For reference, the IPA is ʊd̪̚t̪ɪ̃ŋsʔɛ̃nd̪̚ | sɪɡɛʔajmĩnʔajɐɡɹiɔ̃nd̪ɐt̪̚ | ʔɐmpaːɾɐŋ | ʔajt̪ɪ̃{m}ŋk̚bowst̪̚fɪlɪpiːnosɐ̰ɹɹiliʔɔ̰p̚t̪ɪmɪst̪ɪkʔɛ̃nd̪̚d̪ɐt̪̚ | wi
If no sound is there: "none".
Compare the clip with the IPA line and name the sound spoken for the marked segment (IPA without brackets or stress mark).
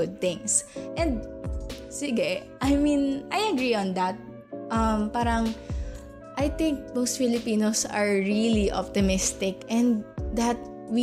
none